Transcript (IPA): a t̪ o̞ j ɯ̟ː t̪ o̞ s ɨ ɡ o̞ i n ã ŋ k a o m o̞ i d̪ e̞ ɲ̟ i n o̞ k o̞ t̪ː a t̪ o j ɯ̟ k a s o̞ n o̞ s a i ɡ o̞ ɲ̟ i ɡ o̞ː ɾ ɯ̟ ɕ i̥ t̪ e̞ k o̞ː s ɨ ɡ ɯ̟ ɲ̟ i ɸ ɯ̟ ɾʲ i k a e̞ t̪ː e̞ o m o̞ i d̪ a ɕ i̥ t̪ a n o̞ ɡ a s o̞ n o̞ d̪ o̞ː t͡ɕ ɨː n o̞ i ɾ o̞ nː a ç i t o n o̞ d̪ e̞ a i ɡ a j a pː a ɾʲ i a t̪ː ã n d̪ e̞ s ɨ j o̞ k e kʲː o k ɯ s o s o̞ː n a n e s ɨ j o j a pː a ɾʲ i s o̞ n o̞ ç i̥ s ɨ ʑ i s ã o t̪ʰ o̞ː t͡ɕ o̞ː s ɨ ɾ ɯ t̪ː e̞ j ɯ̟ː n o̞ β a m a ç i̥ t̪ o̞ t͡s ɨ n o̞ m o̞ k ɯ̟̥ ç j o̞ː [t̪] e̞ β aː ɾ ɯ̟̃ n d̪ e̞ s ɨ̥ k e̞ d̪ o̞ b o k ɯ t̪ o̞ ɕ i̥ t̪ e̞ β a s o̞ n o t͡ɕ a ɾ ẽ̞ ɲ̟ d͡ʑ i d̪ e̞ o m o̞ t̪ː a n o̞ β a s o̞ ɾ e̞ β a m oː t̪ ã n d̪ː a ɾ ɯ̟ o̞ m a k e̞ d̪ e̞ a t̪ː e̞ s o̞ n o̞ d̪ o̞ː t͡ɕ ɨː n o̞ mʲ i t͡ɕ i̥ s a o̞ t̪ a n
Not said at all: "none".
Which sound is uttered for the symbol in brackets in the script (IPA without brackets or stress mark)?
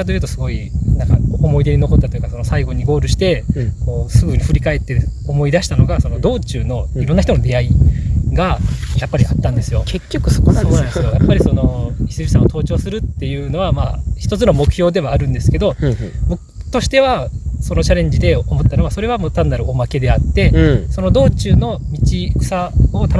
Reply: d̪